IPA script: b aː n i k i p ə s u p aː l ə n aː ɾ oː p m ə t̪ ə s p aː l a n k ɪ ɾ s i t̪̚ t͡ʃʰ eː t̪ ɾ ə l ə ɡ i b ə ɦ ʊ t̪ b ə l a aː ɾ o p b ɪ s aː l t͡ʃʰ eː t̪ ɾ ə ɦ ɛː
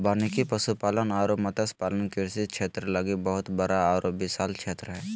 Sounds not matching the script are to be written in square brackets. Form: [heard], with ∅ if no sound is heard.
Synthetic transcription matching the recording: b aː n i k i p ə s u p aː l ə n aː ɾ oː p m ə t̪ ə s p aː l [ə] n k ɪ ɾ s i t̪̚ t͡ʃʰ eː t̪ ɾ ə l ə ɡ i b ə ɦ ʊ t̪ b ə [ɾ] a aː ɾ o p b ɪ s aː l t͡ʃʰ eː t̪ ɾ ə ɦ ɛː